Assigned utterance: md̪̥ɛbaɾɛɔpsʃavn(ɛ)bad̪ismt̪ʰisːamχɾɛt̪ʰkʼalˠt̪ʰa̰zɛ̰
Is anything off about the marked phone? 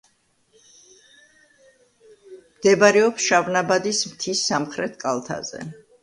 yes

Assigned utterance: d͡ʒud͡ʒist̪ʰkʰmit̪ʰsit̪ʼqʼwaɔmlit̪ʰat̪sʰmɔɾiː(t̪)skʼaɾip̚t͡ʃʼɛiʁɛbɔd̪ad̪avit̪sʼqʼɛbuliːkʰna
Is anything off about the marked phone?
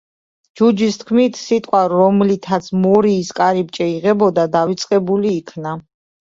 yes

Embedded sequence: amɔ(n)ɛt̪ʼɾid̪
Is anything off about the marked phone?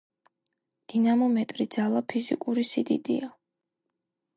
yes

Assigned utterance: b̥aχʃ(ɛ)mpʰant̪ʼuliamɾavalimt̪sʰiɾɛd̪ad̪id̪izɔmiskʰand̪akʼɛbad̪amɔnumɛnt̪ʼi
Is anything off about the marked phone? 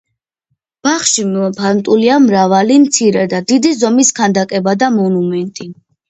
yes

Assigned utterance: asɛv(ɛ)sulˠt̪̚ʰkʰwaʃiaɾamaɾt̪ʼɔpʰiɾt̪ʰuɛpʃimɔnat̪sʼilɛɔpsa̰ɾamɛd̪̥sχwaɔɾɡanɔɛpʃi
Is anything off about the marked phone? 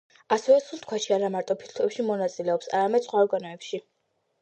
no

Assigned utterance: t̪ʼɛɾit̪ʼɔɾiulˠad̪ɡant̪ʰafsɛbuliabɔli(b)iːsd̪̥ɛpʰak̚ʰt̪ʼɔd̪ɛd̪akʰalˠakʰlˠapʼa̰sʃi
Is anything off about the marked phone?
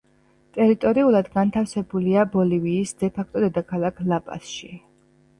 yes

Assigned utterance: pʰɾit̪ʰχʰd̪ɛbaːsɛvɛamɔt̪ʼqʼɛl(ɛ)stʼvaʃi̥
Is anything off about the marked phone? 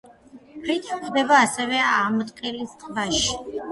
yes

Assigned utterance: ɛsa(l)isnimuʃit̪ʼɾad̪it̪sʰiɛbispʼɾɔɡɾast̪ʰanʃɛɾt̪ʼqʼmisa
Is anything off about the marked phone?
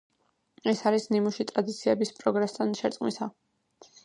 yes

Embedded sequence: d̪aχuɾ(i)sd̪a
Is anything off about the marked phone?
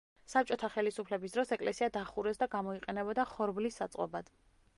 yes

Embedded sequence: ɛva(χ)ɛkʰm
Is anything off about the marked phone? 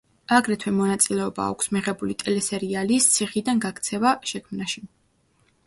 yes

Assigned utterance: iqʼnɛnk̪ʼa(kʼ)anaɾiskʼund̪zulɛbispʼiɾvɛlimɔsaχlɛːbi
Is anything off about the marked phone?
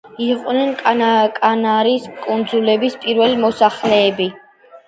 no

